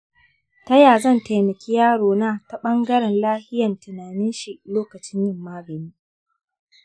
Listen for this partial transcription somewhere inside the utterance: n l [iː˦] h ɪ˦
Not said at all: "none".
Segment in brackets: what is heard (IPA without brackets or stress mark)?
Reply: aː˦